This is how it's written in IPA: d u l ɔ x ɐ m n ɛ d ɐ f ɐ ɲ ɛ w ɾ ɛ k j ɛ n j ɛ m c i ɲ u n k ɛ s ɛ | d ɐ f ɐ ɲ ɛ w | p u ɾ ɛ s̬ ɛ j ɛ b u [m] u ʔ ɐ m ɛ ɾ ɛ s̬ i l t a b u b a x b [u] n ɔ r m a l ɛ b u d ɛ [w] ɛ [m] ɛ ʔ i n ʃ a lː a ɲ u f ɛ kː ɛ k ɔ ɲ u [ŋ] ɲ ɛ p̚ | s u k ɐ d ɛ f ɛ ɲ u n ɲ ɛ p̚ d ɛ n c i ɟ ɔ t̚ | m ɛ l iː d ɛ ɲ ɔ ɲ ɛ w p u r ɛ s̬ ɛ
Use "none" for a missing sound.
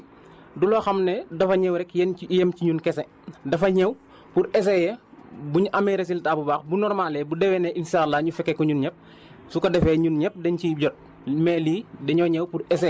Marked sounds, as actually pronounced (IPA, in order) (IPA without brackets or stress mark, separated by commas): ɲ, u, w, n, n